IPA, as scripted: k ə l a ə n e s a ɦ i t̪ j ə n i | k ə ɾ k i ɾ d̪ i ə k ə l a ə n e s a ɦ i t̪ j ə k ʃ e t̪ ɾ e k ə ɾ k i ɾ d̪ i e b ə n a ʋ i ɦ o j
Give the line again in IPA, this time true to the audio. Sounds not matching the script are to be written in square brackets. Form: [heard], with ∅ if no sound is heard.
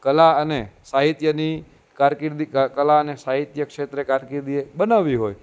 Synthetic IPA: k ə l a ə n e s a ɦ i t̪ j ə n i | k [a] ɾ k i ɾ d̪ i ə k ə l a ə n e s a ɦ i t̪ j ə k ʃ e t̪ ɾ e k [a] ɾ k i ɾ d̪ i e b ə n a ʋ i ɦ o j